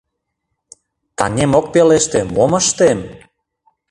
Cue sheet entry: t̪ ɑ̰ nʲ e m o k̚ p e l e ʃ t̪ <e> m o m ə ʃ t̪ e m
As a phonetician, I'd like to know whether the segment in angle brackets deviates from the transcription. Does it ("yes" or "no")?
no